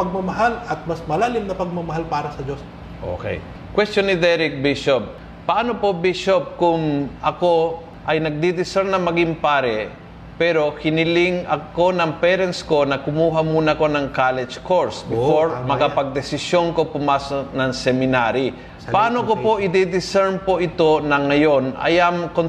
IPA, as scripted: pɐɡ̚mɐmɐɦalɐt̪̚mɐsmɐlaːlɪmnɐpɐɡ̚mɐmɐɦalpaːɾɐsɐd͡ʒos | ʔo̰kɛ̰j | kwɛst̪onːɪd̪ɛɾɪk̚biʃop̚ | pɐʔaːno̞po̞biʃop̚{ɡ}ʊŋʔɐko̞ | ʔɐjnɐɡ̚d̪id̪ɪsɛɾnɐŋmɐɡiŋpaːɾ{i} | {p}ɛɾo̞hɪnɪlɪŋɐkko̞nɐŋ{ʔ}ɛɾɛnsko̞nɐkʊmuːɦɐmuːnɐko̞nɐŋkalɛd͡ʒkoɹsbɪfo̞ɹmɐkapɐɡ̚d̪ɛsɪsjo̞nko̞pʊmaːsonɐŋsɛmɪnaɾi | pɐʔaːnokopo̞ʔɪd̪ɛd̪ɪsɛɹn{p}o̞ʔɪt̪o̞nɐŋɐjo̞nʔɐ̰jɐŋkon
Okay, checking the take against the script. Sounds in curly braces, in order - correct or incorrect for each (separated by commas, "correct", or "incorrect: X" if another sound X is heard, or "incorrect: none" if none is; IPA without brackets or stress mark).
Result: incorrect: k, incorrect: ɛ, correct, incorrect: p, correct